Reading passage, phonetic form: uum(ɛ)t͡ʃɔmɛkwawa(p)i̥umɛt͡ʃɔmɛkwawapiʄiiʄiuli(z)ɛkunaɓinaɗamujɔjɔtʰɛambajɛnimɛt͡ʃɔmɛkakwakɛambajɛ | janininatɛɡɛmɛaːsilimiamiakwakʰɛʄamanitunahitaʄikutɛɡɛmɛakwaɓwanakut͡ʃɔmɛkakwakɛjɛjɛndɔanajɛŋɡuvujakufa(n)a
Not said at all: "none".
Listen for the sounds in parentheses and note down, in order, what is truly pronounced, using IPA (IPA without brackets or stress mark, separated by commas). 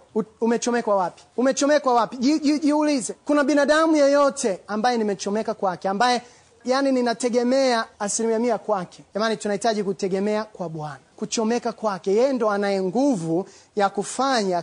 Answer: ɛ, p, z, ɲ